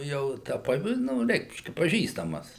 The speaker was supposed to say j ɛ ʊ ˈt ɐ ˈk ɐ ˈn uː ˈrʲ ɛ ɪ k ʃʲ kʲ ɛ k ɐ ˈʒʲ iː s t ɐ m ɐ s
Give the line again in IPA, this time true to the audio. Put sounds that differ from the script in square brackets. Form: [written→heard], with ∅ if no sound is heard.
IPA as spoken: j ɛ ʊ ˈt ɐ [ˈk→ˈp] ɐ ˈn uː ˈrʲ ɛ ɪ k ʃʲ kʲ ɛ [k→p] ɐ ˈʒʲ iː s t ɐ m ɐ s

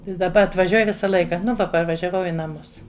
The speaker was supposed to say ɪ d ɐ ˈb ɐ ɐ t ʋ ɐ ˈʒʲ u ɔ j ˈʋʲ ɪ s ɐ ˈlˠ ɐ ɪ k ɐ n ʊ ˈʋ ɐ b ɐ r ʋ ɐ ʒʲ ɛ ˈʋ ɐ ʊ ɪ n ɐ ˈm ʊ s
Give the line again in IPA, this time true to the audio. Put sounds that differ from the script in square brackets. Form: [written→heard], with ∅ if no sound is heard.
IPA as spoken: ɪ d ɐ ˈb ɐ ɐ t ʋ ɐ ˈʒʲ u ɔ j ˈʋʲ ɪ s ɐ ˈlˠ ɐ ɪ k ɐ n ʊ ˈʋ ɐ [b→p] ɐ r ʋ ɐ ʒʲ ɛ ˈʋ ɐ ʊ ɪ n ɐ ˈm ʊ s

